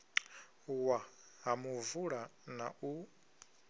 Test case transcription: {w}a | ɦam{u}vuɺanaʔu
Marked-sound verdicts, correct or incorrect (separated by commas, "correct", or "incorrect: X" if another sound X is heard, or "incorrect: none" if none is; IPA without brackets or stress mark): correct, correct